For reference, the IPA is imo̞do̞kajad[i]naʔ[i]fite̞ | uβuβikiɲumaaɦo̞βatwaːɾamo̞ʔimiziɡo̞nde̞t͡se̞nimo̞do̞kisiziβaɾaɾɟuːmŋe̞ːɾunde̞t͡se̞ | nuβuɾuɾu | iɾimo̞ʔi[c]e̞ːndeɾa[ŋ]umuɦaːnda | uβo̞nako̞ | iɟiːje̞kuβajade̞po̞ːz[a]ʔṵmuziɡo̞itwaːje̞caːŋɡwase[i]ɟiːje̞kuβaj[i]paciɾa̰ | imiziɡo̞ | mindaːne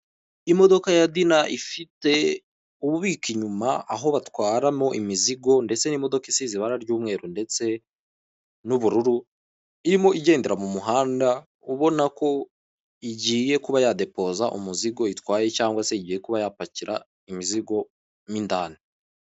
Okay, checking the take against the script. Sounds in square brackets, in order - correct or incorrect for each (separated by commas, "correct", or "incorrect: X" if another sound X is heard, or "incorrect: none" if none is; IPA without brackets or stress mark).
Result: correct, correct, incorrect: ɟ, incorrect: m, correct, correct, incorrect: a